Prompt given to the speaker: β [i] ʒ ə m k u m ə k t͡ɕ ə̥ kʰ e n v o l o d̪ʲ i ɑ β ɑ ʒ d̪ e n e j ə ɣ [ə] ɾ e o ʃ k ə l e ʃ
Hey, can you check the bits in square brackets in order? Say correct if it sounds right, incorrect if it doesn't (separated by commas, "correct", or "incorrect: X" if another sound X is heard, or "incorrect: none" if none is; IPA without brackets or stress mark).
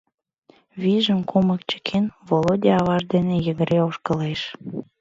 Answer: correct, correct